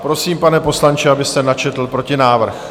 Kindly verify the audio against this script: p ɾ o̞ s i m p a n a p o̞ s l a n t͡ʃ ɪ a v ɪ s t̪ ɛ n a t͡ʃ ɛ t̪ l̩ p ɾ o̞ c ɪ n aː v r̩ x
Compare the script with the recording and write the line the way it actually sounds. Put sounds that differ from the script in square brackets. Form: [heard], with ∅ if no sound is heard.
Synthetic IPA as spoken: p ɾ o̞ s [iː] m p a n [ɛ] p o̞ s l a n t͡ʃ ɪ a [b] ɪ s t̪ ɛ n a t͡ʃ ɛ t̪ l̩ p ɾ o̞ c ɪ n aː v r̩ x